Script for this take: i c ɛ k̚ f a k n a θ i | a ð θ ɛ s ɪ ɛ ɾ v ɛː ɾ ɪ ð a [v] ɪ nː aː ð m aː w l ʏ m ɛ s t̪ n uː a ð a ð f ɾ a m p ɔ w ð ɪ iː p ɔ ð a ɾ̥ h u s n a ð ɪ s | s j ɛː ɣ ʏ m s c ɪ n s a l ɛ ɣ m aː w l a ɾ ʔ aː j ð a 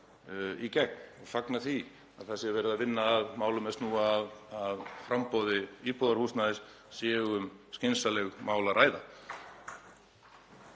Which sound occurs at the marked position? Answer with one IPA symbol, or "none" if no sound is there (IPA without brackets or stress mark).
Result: v